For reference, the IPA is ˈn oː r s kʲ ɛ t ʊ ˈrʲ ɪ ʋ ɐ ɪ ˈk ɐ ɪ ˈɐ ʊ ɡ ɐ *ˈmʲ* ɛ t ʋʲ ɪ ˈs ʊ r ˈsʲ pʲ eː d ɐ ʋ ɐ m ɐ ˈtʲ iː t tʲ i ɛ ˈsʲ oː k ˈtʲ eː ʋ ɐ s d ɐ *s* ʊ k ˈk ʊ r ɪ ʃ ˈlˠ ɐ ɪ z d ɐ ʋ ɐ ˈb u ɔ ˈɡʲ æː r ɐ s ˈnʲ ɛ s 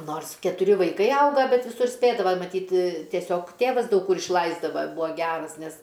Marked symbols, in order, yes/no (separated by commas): no, no